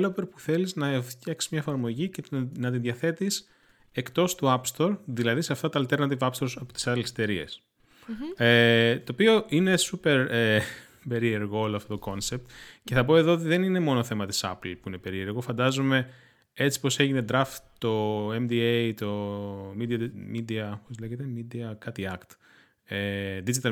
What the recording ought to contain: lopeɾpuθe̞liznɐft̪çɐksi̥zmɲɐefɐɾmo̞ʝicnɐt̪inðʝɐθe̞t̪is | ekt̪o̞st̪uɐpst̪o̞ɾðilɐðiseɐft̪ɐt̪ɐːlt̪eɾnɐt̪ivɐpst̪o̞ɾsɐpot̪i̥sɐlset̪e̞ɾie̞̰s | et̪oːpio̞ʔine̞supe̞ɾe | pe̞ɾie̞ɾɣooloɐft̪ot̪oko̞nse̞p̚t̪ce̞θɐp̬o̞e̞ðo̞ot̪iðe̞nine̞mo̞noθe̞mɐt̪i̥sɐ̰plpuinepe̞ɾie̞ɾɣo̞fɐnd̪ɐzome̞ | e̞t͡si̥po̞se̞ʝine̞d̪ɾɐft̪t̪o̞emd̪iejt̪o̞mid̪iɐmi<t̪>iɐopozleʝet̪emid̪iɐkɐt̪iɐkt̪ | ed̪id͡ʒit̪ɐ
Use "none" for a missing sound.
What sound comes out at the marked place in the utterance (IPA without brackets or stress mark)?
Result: d̪